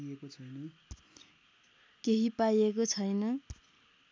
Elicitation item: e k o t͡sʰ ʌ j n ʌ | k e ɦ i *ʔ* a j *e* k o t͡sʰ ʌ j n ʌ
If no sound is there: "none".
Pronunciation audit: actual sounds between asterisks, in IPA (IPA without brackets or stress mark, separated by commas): p, e